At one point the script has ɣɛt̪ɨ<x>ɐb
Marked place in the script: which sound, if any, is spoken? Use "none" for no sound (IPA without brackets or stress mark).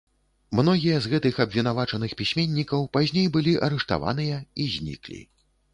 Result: x